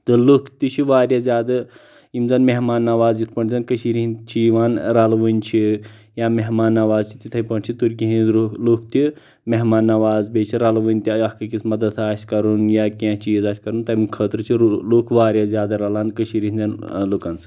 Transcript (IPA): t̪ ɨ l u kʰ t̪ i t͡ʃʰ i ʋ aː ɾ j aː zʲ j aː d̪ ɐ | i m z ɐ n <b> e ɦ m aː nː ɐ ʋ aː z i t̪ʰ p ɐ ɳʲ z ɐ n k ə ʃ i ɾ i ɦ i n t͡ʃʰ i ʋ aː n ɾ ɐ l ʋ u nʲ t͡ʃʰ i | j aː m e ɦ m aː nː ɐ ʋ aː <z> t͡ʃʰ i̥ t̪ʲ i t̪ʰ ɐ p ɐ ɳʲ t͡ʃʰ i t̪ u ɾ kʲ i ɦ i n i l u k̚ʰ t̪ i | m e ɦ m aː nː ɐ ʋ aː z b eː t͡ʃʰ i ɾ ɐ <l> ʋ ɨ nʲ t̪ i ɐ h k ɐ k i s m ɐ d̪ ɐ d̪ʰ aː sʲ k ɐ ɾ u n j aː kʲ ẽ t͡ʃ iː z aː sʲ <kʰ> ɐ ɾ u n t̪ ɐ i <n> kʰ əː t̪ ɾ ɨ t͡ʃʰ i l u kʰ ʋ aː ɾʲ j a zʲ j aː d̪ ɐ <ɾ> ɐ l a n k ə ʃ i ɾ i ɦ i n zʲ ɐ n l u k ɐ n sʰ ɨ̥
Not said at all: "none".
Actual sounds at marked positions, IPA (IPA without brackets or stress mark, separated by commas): m, z, l, k, m, ɾ